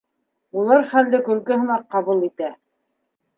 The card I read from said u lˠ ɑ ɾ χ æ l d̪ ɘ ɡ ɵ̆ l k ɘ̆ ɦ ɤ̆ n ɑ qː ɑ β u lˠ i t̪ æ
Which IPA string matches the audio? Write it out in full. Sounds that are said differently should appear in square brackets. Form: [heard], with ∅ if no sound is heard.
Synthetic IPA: u lˠ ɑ ɾ χ æ l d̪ ɘ [k] ɵ̆ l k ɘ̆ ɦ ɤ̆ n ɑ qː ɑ β u lˠ i t̪ æ